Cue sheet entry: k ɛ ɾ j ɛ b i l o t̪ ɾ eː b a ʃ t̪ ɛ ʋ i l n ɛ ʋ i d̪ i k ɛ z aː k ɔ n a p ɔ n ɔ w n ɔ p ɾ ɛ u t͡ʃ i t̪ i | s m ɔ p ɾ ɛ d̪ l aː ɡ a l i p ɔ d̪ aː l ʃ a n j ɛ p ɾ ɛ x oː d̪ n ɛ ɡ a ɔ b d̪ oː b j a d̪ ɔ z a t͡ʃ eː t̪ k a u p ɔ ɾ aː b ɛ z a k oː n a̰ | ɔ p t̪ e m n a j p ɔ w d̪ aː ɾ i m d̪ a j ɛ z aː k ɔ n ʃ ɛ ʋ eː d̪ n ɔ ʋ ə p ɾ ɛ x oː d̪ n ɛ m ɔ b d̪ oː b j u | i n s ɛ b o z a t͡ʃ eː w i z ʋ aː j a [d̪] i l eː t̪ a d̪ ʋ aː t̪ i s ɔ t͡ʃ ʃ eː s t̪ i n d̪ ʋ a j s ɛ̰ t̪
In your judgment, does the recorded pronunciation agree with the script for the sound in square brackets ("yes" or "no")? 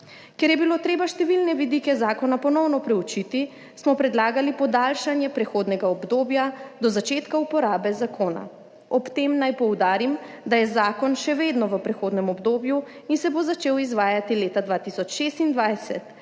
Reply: no